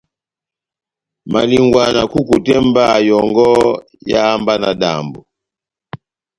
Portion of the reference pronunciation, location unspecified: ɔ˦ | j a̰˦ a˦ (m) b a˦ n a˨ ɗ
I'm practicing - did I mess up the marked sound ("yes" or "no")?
no